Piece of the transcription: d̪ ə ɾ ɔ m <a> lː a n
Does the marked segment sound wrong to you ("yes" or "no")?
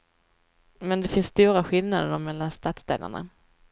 yes